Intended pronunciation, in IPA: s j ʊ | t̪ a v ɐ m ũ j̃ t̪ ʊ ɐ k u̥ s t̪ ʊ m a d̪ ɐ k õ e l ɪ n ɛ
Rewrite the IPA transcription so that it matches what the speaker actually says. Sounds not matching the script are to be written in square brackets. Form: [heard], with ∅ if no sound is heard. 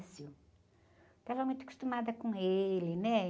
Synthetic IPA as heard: s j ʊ | t̪ a v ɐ m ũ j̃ t̪ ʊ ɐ k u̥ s t̪ [u] m a d̪ ɐ k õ e l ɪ n ɛ